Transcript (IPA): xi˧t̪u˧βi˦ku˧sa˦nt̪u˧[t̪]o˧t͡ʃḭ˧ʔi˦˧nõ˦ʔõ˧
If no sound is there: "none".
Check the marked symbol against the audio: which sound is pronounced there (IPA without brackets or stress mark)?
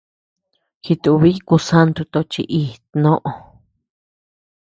t̪